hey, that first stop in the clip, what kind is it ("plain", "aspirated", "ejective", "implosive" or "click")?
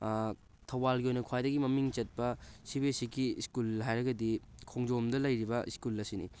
aspirated